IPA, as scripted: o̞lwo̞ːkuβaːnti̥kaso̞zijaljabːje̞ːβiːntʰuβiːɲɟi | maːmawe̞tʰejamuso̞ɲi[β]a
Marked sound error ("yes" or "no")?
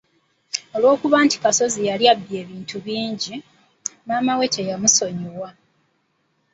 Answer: yes